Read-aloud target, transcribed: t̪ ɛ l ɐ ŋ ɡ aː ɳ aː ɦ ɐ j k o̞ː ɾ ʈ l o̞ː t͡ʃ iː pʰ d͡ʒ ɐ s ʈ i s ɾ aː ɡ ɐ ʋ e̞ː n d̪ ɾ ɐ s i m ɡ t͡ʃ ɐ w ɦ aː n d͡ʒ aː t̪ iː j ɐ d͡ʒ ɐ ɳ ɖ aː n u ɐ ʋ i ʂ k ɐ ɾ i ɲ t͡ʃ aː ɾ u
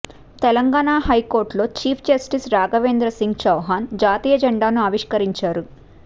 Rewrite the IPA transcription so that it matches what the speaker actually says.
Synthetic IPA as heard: t̪ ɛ l ɐ ŋ ɡ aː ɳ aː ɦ ɐ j k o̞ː ɾ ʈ l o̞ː t͡ʃ iː pʰ d͡ʒ ɐ s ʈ i s ɾ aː ɡ ɐ ʋ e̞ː n d̪ ɾ ɐ s i ŋ ɡ t͡ʃ ɐ w ɦ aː n d͡ʒ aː t̪ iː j ɐ d͡ʒ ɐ ɳ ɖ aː n u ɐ ʋ i ʂ k ɐ ɾ i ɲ t͡ʃ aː ɾ u